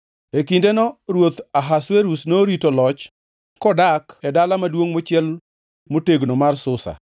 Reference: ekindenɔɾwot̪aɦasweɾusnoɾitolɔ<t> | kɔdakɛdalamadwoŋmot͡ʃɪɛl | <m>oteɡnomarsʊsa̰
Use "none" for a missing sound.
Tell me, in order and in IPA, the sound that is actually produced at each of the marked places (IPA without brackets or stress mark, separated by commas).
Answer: t͡ʃ, m